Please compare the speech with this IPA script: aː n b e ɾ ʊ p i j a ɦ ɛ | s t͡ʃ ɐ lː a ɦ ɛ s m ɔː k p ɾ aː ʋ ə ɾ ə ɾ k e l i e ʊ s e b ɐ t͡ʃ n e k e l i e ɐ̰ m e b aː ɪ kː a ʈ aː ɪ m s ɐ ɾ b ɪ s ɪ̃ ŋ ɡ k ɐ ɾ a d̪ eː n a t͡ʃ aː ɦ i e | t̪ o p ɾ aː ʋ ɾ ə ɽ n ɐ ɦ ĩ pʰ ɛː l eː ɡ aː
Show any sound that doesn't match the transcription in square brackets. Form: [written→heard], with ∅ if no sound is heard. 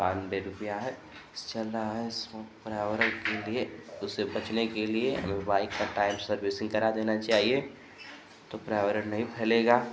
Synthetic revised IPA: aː n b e ɾ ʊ p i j a ɦ ɛ | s t͡ʃ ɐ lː a ɦ ɛ s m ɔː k p ɾ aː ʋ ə ɾ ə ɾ k e l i e ʊ s e b ɐ t͡ʃ n e k e l i e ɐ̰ m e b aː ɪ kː a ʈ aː ɪ m s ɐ ɾ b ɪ s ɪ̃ ŋ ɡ k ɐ ɾ a d̪ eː n a t͡ʃ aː ɦ i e | t̪ o p ɾ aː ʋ ɾ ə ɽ n ɐ ɦ ĩ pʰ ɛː l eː ɡ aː

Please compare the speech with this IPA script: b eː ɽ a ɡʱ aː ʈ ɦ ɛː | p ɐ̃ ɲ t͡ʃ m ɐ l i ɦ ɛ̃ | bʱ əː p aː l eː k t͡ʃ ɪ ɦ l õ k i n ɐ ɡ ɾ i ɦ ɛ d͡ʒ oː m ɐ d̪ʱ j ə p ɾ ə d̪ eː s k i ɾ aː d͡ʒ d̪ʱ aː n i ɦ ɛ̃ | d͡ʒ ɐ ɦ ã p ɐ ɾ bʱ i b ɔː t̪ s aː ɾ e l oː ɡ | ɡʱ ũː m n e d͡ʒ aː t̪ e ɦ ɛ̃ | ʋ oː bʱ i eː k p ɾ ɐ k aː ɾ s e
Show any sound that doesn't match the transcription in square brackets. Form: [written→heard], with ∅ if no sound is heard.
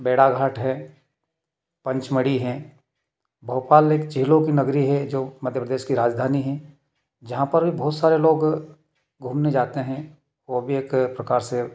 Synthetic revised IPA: b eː ɽ a ɡʱ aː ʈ ɦ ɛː | p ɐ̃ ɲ t͡ʃ m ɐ [l→ɽ] i ɦ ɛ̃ | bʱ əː p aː l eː k t͡ʃ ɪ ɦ l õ k i n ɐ ɡ ɾ i ɦ ɛ d͡ʒ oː m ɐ d̪ʱ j ə p ɾ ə d̪ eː [s→ʃ] k i ɾ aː d͡ʒ d̪ʱ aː n i ɦ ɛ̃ | d͡ʒ ɐ ɦ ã p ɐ ɾ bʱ i b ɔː t̪ s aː ɾ e l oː ɡ | ɡʱ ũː m n e d͡ʒ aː t̪ e ɦ ɛ̃ | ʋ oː bʱ i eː k p ɾ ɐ k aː ɾ s e

